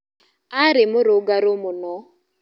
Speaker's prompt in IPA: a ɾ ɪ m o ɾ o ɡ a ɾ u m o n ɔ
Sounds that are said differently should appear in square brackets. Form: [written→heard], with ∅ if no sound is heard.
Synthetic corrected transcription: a ɾ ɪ m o ɾ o ɡ a ɾ [u→o] m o n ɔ